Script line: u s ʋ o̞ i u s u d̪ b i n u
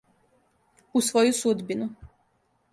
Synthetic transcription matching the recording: u s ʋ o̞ j u s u d̪ b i n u